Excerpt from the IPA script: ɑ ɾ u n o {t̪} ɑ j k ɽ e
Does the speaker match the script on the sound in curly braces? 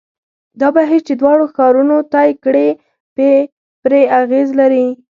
yes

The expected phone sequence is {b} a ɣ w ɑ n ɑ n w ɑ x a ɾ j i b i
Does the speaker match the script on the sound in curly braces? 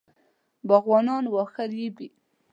yes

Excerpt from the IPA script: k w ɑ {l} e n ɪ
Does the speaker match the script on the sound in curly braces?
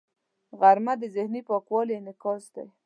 yes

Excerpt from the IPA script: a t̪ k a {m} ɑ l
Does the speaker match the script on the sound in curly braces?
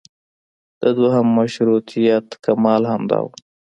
yes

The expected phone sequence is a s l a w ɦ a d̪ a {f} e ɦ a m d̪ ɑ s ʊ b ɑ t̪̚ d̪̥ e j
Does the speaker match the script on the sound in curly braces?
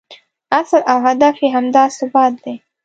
yes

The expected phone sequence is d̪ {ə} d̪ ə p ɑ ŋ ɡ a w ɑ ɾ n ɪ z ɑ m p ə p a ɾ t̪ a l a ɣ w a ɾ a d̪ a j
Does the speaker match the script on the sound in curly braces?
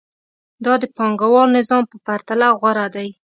no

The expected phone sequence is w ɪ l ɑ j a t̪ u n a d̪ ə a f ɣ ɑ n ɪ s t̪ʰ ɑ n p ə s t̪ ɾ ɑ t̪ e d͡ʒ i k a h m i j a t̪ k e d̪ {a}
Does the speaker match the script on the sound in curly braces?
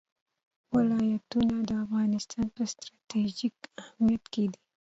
no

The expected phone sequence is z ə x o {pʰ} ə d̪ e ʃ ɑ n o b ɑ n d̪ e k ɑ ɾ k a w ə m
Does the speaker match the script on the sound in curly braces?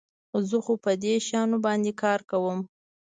no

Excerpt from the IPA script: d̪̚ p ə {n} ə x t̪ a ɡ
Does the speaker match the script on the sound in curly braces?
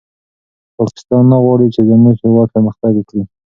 no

